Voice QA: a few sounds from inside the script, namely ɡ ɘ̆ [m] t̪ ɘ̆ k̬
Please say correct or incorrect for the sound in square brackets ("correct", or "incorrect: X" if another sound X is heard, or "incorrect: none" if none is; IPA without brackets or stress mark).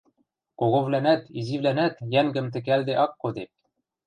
correct